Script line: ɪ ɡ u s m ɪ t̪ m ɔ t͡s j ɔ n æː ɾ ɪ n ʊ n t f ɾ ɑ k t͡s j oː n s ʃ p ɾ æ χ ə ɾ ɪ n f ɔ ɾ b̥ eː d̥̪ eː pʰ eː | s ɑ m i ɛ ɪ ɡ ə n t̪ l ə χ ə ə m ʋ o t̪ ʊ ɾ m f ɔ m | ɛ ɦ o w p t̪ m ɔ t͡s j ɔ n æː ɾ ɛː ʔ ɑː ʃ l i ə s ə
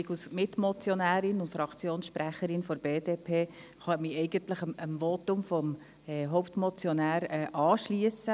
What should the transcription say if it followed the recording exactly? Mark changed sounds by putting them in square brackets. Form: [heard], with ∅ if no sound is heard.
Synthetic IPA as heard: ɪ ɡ u s m ɪ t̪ m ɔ t͡s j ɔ n æː ɾ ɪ n ʊ n t f ɾ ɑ k t͡s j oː n s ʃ p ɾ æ χ ə ɾ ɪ n f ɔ ɾ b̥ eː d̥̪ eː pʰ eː | [χ] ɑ m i ɛ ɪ ɡ ə n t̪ l ə χ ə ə m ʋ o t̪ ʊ [∅] m f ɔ m | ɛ ɦ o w p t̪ m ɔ t͡s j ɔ n æː ɾ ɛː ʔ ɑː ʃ l i ə s ə